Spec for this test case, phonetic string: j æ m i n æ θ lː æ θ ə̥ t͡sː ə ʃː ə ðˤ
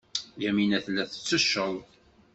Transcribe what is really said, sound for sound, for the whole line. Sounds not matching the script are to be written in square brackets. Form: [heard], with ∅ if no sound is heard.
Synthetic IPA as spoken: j æ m i n æ θ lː æ θ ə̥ t͡sː ə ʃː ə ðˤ